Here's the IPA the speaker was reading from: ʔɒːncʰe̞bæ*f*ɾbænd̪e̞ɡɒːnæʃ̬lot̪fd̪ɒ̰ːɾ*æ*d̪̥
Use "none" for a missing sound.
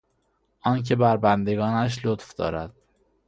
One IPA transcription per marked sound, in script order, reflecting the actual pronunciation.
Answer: none, æ

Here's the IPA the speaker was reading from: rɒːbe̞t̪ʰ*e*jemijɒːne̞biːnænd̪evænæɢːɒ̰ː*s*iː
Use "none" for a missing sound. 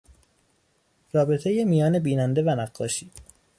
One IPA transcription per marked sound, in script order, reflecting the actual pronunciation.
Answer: e, ʃ

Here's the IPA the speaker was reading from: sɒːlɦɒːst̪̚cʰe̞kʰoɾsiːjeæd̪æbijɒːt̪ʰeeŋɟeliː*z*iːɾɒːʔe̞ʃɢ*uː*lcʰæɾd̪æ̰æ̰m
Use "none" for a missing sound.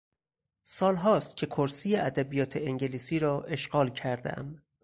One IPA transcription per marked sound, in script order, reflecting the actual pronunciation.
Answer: s, ɒː

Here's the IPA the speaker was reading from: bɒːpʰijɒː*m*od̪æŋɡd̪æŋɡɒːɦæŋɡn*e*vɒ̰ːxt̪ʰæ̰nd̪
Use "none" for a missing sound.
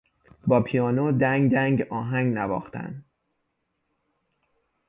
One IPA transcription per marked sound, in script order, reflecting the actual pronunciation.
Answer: n, æ

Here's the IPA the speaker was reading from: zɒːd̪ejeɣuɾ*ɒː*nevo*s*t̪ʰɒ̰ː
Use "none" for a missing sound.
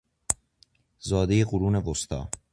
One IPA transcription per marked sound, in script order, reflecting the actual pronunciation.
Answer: uː, s

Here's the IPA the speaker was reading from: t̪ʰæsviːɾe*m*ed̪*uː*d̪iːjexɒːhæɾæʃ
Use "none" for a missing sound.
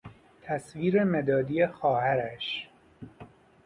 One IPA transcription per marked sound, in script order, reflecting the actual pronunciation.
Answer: m, ɒː

